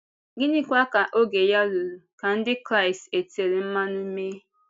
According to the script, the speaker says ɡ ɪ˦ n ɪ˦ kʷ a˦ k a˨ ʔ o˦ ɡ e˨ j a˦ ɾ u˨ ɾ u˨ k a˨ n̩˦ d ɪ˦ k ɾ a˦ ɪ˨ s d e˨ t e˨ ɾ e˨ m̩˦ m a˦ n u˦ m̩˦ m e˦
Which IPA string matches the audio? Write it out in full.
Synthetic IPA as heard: ɡ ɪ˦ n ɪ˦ kʷ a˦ k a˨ ʔ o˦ ɡ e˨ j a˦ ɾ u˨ ɾ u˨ k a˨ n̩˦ d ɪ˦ k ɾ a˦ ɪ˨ s t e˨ t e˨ ɾ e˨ m̩˦ m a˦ n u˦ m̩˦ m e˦